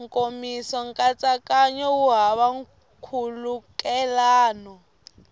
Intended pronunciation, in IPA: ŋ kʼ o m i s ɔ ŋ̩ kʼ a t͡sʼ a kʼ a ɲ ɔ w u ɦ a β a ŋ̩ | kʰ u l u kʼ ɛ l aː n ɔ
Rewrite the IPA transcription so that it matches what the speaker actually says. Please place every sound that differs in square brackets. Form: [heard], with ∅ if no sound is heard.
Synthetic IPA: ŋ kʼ o m i s ɔ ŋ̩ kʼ a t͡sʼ a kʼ a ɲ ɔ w u ɦ a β a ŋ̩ | kʰ u l u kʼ ɛ l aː n ɔ